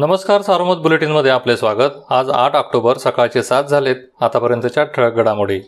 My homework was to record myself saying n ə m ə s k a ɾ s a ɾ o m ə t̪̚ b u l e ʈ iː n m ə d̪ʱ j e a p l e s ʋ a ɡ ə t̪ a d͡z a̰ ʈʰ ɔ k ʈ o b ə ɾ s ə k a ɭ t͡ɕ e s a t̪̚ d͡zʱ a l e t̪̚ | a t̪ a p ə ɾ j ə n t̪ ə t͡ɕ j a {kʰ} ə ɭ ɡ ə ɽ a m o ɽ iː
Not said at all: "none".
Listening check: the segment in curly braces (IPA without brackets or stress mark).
ʈʰ